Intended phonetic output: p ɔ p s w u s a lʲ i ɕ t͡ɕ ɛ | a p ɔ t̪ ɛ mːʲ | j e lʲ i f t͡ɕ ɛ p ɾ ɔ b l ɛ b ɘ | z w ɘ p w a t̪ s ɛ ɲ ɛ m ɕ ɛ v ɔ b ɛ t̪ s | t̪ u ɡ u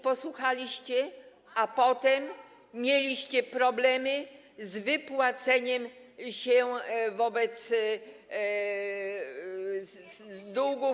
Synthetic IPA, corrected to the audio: p ɔ s w u x a lʲ i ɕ t͡ɕ ɛ | a p ɔ t̪ ɛ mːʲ | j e lʲ i ɕ t͡ɕ ɛ p ɾ ɔ b l ɛ m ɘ | z v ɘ p w a t̪ s ɛ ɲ ɛ m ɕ ɛ v ɔ b ɛ t̪ s | d̪ u ɡ u

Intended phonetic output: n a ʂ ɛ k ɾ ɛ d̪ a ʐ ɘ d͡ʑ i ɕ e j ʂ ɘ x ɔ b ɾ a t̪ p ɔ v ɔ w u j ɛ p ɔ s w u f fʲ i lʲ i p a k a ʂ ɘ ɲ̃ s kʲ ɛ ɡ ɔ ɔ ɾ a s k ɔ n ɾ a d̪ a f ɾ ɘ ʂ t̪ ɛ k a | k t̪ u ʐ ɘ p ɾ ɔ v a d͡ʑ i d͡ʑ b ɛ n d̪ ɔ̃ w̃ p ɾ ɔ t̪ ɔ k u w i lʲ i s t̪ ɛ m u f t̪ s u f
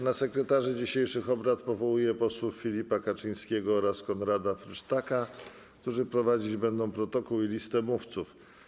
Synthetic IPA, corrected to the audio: n a s ɛ k ɾ ɛ t̪ a ʐ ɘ d͡ʑ i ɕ e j ʂ ɘ x ɔ b ɾ a t̪ p ɔ v ɔ w u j ɛ p ɔ s w u f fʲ i lʲ i p a k a t͡ʂ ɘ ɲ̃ s kʲ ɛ ɡ ɔ ɔ ɾ a s k ɔ n ɾ a d̪ a f ɾ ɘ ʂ t̪ a k a | k t̪ u ʐ ɘ p ɾ ɔ v a d͡ʑ i d͡ʑ b ɛ n d̪ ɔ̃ w̃ p ɾ ɔ t̪ ɔ k u w i lʲ i s t̪ ɛ m u f t̪ s u f

